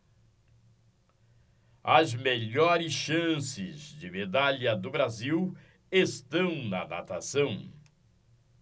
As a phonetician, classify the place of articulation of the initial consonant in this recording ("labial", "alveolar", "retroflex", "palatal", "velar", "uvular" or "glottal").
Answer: alveolar